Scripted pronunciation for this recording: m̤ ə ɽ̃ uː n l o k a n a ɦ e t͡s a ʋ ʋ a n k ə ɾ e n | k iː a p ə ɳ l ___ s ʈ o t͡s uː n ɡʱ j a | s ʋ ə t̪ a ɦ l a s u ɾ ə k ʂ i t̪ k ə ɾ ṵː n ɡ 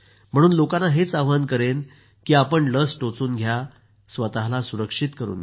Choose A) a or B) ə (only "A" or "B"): B